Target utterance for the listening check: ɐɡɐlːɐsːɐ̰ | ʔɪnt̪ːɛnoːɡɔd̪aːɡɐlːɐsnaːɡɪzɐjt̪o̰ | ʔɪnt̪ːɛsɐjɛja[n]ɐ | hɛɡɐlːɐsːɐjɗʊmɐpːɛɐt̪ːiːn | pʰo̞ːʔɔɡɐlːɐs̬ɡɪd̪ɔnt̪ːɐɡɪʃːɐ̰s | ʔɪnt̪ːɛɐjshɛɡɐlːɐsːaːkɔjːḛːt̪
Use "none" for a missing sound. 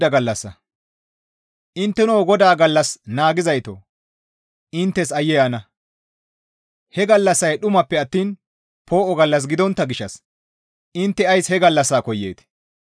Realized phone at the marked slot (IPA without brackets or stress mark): n